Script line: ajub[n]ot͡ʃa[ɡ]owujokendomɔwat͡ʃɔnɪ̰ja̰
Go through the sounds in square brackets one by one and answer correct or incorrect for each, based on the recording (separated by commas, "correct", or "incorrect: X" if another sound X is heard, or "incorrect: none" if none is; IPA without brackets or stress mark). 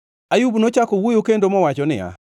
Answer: correct, incorrect: k